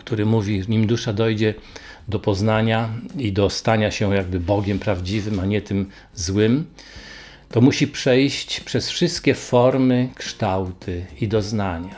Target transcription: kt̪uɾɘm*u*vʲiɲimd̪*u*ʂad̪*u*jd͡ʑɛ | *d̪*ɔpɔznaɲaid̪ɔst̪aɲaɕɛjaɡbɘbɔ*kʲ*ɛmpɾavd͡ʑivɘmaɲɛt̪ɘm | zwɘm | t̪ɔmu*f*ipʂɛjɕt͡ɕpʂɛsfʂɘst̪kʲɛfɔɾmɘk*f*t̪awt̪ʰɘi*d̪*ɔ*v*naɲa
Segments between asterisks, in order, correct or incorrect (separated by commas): correct, correct, incorrect, correct, incorrect, incorrect, incorrect, correct, incorrect